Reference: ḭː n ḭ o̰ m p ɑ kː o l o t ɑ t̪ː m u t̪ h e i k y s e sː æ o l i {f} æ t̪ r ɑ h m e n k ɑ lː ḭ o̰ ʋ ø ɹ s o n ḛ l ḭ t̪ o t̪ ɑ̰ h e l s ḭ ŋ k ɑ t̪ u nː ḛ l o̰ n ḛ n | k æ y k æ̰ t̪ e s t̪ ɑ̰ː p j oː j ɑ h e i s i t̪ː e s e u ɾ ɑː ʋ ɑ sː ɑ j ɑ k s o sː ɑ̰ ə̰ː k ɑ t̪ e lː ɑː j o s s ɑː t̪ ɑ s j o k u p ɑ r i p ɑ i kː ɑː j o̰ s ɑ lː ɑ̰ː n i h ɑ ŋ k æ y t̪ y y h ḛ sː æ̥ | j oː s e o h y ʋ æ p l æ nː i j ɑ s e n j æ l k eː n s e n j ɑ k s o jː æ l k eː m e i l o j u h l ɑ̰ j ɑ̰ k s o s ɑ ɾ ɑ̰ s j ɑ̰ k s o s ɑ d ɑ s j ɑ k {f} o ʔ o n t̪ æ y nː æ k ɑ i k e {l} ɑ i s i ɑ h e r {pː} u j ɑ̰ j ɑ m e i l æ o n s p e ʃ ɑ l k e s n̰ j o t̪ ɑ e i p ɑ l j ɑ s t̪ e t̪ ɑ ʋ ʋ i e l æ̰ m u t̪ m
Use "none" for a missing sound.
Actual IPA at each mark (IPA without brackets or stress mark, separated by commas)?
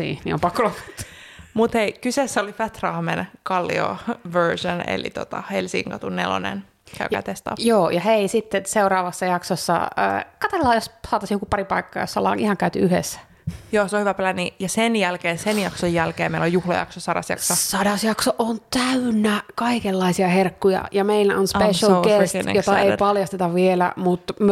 f, s, lː, kː